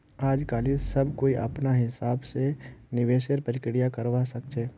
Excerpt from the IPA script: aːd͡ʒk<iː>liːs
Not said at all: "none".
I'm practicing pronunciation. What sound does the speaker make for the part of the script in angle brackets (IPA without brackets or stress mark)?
aː